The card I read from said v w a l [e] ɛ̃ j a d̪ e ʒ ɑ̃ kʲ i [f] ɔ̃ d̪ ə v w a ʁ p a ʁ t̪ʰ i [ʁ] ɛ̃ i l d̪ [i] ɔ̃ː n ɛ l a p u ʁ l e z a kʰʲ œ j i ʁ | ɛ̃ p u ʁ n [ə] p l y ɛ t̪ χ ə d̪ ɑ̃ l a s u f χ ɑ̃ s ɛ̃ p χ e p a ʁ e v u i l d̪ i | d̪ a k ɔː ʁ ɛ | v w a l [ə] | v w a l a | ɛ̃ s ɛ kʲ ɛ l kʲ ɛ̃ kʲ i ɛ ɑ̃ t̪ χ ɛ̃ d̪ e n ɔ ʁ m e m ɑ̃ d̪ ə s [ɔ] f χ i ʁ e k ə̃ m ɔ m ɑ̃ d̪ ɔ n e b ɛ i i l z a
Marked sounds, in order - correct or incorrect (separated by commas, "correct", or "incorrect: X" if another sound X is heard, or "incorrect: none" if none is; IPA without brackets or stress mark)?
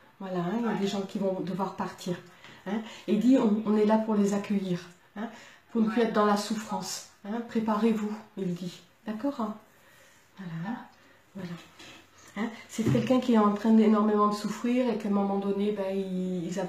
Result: incorrect: a, incorrect: v, correct, correct, correct, incorrect: a, incorrect: u